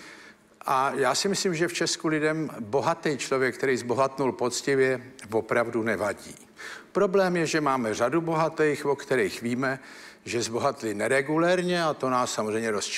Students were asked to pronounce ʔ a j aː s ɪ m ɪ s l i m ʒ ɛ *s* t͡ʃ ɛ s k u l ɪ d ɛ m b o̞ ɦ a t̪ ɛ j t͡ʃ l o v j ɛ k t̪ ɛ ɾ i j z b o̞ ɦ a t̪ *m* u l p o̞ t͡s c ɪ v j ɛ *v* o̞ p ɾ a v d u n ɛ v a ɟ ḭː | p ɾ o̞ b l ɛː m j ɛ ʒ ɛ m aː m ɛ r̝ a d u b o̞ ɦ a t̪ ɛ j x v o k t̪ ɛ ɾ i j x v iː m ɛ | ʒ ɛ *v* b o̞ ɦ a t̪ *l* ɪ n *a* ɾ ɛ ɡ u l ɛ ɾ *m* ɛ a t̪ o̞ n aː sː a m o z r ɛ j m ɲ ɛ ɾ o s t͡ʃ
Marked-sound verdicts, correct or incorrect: incorrect: f, incorrect: n, correct, incorrect: z, correct, incorrect: ɛ, incorrect: ɲ

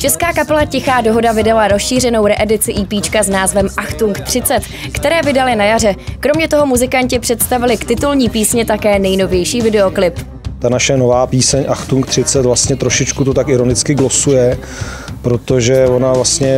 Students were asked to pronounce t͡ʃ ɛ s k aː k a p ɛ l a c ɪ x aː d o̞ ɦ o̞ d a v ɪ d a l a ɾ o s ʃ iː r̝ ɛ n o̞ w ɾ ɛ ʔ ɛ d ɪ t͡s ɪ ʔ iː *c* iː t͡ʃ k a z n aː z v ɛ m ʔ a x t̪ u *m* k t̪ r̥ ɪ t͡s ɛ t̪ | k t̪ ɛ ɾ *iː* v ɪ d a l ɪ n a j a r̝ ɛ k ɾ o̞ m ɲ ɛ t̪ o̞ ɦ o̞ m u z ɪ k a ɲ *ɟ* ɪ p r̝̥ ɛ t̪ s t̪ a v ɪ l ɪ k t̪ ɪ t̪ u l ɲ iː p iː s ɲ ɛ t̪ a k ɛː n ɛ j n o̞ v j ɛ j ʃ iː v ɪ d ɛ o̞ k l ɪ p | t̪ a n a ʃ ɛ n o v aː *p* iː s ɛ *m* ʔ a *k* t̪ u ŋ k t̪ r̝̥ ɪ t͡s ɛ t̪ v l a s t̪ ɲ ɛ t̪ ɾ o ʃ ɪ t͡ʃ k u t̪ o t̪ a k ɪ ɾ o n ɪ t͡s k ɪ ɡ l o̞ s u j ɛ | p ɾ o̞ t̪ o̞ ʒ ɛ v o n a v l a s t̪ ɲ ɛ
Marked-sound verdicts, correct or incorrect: incorrect: p, incorrect: ŋ, incorrect: ɛː, incorrect: c, correct, incorrect: ɲ, incorrect: x

